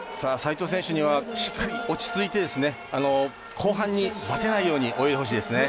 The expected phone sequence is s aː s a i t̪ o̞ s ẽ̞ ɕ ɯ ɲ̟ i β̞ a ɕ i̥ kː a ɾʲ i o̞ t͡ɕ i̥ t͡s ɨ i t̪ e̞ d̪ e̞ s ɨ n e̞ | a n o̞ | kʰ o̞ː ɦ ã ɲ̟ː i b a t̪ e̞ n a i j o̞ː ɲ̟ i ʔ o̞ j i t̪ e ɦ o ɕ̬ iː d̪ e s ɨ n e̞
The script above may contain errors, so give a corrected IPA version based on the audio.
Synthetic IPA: s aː s a i t̪ o̞ s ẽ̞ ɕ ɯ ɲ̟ i β̞ a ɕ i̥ kː a ɾʲ i o̞ t͡ɕ i̥ t͡s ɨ i t̪ e̞ d̪ e̞ s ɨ n e̞ | a n o̞ | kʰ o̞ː ɦ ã ɲ̟ː i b a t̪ e̞ n a i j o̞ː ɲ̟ i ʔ o̞ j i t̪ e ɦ o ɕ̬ iː d̪ e s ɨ n e̞